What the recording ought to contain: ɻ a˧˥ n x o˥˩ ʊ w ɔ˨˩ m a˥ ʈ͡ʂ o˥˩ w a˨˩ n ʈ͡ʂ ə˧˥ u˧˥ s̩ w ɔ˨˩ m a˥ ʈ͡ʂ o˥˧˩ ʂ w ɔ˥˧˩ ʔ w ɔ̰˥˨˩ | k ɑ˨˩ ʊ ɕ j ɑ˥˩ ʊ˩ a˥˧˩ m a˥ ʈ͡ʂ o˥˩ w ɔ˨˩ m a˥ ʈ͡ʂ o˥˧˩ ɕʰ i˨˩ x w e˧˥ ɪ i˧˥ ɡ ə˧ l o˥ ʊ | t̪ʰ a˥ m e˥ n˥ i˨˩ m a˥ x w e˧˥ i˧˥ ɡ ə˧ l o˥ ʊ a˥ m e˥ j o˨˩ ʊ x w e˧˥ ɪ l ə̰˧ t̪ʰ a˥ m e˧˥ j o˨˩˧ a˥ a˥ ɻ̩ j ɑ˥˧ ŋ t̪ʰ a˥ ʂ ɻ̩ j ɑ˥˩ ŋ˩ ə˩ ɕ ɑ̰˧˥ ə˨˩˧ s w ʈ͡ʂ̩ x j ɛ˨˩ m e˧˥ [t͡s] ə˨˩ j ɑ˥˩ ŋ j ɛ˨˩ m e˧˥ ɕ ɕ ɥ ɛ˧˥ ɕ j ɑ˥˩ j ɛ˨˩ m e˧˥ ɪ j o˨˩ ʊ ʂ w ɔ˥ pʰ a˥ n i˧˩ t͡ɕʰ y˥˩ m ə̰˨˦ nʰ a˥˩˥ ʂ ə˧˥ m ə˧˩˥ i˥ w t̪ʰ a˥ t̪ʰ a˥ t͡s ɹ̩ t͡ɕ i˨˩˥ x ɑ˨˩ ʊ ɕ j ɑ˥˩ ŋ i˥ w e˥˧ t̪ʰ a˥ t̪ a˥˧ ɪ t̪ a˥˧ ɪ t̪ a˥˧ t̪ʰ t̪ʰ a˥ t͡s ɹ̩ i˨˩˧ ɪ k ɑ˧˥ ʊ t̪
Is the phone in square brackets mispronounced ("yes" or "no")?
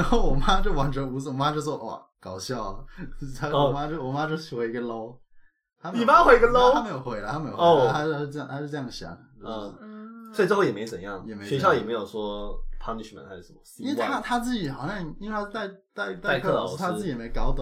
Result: no